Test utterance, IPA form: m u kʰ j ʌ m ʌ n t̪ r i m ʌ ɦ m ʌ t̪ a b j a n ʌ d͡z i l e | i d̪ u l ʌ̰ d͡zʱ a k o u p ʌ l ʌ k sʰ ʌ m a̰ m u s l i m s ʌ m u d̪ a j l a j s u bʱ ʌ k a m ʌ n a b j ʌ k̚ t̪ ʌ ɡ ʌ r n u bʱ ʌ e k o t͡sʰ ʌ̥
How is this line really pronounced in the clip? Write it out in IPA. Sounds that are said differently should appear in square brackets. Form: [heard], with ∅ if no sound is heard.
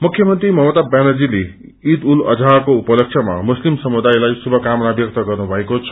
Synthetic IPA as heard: m u kʰ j ʌ m ʌ n t̪ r i m ʌ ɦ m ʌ t̪ a b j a n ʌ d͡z i l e | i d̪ u l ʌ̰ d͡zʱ a k o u p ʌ l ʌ k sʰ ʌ m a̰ m u s l i m s ʌ m u d̪ a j l a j s u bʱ ʌ k a m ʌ n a b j ʌ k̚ t̪ ʌ ɡ ʌ r n u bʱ ʌ e k o t͡sʰ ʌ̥